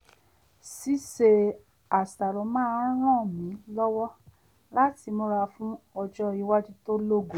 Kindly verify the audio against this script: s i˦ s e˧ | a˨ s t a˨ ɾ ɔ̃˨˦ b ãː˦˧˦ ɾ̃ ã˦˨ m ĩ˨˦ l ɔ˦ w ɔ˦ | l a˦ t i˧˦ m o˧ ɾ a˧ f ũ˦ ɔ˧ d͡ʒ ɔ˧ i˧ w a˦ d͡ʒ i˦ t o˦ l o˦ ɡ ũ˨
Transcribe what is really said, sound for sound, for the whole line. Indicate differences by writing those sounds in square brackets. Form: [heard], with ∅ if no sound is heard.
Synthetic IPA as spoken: s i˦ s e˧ | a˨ s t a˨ ɾ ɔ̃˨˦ [m] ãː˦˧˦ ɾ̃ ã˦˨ m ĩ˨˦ l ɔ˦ w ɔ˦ | l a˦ t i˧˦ m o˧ ɾ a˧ f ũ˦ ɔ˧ d͡ʒ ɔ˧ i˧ w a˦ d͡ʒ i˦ t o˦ l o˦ ɡ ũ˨

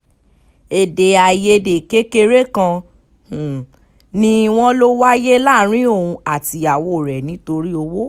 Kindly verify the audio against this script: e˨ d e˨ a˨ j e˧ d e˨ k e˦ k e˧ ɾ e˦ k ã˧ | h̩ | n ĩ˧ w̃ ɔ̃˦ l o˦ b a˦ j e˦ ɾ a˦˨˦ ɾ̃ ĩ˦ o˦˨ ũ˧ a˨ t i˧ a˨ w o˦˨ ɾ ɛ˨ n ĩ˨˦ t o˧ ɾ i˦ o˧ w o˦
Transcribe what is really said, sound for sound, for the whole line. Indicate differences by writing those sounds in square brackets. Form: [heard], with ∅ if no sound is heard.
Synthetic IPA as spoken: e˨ d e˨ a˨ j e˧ d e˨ k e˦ k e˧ ɾ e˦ k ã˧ | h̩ | n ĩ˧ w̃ ɔ̃˦ l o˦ [w] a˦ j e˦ [l] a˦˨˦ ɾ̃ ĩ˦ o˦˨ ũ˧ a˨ t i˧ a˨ w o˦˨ ɾ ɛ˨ n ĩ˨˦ t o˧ ɾ i˦ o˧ w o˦

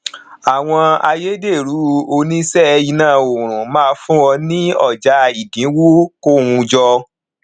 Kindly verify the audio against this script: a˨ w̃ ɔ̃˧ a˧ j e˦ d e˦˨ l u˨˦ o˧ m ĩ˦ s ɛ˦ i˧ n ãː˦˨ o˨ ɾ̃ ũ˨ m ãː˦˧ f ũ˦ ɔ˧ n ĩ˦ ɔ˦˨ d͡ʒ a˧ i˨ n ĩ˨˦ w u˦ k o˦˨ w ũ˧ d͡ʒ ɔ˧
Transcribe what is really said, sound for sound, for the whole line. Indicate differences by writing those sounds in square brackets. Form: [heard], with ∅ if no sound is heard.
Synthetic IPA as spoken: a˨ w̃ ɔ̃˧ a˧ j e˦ d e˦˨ [ɾ] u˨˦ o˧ [n] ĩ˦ s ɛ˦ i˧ n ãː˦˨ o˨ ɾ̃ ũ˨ m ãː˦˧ f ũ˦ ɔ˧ n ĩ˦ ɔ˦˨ d͡ʒ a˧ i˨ [d] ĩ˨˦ w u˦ k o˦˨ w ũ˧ d͡ʒ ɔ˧

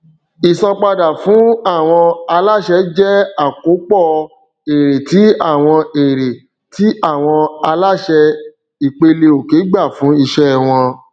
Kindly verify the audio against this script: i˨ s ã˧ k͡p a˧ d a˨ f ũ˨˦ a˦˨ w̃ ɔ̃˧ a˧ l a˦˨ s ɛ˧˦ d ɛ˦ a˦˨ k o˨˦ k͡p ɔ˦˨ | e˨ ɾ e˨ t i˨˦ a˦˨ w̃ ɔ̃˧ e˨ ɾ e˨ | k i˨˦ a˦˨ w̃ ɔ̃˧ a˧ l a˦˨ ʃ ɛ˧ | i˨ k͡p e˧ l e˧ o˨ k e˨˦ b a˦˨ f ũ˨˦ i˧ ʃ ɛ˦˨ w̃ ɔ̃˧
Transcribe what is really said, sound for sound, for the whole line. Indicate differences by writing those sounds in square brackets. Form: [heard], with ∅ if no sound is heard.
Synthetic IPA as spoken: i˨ s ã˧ k͡p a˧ d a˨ f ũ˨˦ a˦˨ w̃ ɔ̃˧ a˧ l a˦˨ [ʃ] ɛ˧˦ [d͡ʒ] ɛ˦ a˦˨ k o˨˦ k͡p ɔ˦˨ | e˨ ɾ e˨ t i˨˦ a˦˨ w̃ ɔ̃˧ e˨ ɾ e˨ | [t] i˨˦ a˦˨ w̃ ɔ̃˧ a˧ l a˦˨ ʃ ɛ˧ | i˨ k͡p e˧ l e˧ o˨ k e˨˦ [ɡ͡b] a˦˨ f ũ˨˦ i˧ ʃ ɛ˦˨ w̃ ɔ̃˧

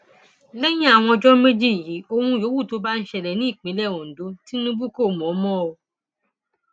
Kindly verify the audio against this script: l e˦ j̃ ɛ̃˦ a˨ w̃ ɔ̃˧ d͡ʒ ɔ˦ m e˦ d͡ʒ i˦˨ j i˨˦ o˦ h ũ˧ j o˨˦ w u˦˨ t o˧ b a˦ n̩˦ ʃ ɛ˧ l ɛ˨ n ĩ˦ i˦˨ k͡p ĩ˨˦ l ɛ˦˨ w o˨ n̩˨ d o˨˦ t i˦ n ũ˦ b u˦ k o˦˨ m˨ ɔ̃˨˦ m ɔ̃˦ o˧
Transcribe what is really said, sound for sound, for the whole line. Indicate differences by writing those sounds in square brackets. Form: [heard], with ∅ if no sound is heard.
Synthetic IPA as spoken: l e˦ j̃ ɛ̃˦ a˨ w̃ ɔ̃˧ d͡ʒ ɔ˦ m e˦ d͡ʒ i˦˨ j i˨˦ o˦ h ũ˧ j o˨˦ w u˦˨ t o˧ b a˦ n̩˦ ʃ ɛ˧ l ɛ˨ n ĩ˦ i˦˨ k͡p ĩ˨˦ l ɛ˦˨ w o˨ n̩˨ d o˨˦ t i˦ n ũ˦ b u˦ k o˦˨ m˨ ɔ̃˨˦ m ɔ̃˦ o˧

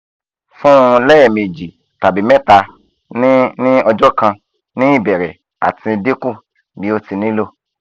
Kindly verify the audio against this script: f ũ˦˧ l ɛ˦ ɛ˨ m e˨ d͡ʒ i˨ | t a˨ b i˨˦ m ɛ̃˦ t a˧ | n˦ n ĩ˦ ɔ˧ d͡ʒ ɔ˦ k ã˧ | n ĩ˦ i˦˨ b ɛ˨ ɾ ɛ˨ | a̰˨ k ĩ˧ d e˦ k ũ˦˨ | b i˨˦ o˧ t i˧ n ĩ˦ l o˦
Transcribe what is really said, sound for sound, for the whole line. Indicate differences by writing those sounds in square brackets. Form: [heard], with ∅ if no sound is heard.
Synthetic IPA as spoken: f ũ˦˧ l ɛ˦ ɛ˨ m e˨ d͡ʒ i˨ | t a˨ b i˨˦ m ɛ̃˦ t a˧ | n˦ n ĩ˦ ɔ˧ d͡ʒ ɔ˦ k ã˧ | n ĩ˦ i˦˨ b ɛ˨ ɾ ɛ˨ | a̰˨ [t] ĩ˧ d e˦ k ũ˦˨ | b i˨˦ o˧ t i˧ n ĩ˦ l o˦

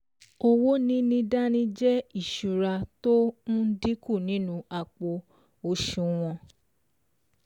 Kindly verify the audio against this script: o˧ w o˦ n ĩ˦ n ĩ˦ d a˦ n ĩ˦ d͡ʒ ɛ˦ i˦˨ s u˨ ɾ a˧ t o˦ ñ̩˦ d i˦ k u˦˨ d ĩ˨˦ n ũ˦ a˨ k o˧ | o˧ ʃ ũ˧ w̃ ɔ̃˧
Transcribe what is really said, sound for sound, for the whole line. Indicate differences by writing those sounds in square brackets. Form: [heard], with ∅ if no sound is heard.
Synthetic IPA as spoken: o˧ w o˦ n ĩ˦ n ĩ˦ d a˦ n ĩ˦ d͡ʒ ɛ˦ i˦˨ [ʃ] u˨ ɾ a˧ t o˦ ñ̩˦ d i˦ k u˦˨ [n] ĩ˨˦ n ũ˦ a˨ [k͡p] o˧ | o˧ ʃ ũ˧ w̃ ɔ̃˧

